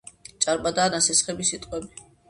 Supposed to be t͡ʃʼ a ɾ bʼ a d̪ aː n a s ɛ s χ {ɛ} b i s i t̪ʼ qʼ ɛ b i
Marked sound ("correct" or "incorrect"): correct